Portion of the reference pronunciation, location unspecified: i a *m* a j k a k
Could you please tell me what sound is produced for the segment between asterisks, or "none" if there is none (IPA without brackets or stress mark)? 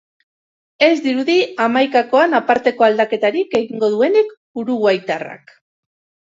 m